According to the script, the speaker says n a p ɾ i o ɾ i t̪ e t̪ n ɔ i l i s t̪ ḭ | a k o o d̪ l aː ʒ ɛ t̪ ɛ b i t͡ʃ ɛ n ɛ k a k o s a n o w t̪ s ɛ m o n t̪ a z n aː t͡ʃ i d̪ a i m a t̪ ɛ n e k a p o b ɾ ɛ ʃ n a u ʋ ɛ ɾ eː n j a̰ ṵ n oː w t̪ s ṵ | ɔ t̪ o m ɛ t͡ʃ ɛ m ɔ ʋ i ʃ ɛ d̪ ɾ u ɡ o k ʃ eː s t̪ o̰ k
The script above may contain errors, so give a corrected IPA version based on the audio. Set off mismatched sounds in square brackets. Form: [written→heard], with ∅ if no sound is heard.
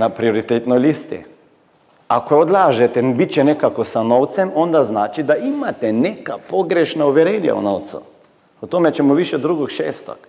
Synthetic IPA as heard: n a p ɾ i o ɾ i t̪ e t̪ n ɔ [i→j] l i s t̪ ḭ | a k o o d̪ l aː ʒ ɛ t̪ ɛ b i t͡ʃ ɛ n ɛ k a k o s a n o w t̪ s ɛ m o n [t̪→d̪] a z n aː t͡ʃ i d̪ a i m a t̪ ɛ n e k a p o [b→ɡ] ɾ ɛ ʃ n a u ʋ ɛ ɾ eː n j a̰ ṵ n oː w t̪ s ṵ | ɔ t̪ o m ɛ t͡ʃ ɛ m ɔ ʋ i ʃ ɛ d̪ ɾ u ɡ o k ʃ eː s t̪ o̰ k